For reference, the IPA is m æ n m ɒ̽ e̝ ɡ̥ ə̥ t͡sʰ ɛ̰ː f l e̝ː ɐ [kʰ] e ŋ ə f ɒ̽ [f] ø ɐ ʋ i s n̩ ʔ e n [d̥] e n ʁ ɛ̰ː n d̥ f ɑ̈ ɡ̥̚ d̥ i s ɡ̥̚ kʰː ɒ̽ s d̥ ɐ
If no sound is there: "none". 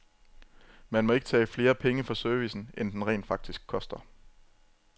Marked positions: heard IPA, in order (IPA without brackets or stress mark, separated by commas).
pʰ, s, d̥